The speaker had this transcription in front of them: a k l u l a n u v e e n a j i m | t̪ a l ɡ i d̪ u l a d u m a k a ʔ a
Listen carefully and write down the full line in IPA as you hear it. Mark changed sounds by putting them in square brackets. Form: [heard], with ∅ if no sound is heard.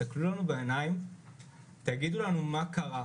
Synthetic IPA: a k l u l a n u [b] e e n a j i m | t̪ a [∅] ɡ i d̪ u l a [n] u m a k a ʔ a